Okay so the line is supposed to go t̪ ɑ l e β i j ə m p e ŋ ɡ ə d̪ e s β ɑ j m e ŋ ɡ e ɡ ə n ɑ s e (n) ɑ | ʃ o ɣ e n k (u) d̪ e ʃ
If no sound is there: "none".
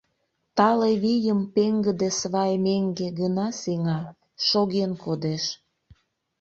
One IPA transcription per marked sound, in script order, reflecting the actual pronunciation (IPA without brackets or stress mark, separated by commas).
ŋ, o